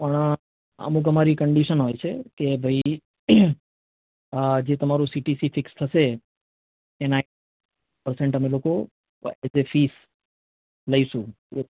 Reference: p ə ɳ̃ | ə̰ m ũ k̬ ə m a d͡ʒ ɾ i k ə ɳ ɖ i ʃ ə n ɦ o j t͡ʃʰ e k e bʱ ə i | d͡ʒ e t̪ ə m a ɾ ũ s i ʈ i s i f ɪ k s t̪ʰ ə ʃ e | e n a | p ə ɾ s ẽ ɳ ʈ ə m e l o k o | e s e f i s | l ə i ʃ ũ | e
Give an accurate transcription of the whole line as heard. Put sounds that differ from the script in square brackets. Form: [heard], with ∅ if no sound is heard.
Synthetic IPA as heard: p ə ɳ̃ | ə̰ m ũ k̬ ə m a [∅] ɾ i k ə ɳ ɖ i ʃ ə n ɦ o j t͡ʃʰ e k e bʱ ə i | d͡ʒ e t̪ ə m a ɾ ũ s i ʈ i s i f ɪ k s t̪ʰ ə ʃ e | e n a | p ə ɾ s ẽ ɳ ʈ ə m e l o k o | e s e f i s | l ə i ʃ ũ | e